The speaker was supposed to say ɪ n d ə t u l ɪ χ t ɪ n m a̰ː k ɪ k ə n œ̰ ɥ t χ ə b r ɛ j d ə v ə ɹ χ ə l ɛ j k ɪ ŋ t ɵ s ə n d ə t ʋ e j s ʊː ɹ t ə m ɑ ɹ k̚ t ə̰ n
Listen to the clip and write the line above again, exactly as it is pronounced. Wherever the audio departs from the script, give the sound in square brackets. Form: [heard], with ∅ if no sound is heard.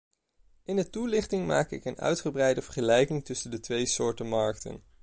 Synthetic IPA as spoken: ɪ n d ə t u l ɪ χ t ɪ [ŋ] m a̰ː k ɪ k ə n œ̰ ɥ t χ ə b r ɛ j d ə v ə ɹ χ ə l ɛ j k ɪ ŋ t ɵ s ə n d ə t ʋ e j s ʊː ɹ t ə m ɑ ɹ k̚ t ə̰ n